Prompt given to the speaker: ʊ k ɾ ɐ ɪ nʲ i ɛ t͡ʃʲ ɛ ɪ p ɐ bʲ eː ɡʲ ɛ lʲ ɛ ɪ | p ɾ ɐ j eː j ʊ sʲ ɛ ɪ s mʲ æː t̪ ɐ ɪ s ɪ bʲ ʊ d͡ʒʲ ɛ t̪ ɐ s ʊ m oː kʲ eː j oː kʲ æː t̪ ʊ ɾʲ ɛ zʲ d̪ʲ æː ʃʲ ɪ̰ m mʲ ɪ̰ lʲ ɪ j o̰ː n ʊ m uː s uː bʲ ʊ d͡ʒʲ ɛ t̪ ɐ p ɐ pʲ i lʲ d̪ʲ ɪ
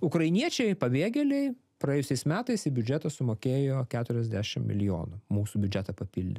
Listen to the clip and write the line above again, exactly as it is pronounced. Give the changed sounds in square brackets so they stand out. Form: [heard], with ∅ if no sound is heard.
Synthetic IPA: ʊ k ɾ ɐ ɪ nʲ i ɛ t͡ʃʲ ɛ ɪ p ɐ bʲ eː ɡʲ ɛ lʲ ɛ ɪ | p ɾ ɐ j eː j ʊ sʲ ɛ ɪ s mʲ æː t̪ ɐ ɪ s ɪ bʲ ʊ d͡ʒʲ ɛ t̪ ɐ s ʊ m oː kʲ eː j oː kʲ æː t̪ ʊ ɾʲ ɛ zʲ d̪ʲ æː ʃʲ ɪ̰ m mʲ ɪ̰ lʲ ɪ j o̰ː n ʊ m uː s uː bʲ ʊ d͡ʒʲ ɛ t̪ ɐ p ɐ pʲ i lʲ d̪ʲ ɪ